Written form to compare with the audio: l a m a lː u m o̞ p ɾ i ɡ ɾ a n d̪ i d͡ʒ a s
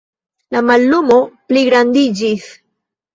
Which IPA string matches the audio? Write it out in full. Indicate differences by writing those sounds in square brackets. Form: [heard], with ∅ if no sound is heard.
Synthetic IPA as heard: l a m a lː u m o̞ p [l] i ɡ ɾ a n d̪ i d͡ʒ [i] s